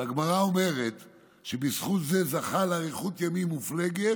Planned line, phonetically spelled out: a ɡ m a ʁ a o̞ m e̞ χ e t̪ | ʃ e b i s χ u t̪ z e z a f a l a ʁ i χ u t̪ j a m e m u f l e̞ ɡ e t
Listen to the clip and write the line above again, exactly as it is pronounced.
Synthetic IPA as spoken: a ɡ m a ʁ a o̞ m e̞ ʁ e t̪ | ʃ e b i s χ u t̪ z e z a χ a l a ʁ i χ u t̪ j a m i m u f l e̞ ɡ e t

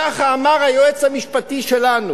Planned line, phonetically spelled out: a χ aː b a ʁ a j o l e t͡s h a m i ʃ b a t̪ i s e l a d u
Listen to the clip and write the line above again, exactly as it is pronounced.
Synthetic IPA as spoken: a χ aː m a ʁ a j o e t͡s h a m i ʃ p a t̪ i ʃ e l a n u

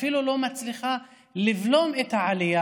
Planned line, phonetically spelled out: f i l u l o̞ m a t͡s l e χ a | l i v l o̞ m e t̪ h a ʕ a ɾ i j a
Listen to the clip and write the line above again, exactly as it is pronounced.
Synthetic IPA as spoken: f i l u l o̞ m a t͡s l i χ a | l i v l o̞ m e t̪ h a ʕ a l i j a

